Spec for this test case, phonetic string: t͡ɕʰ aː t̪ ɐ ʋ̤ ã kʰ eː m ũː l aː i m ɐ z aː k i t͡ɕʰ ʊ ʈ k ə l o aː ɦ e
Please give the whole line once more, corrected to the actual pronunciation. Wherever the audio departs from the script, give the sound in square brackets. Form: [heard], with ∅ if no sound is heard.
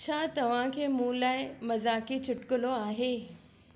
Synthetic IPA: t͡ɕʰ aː t̪ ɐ ʋ̤ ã kʰ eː m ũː l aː [ɪ] m ɐ z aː k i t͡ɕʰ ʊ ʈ k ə l o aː ɦ e